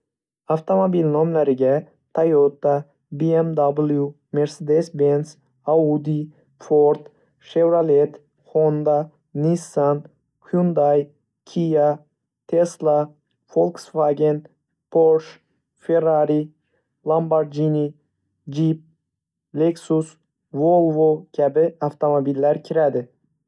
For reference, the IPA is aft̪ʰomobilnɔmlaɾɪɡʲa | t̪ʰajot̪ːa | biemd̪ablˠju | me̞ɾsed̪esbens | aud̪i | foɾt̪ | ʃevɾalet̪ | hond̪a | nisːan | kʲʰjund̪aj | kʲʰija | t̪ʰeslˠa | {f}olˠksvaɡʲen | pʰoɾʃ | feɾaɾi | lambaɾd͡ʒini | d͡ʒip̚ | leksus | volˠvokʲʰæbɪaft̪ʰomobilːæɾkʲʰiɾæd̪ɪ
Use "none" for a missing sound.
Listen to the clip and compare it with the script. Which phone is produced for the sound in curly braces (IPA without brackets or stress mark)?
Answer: f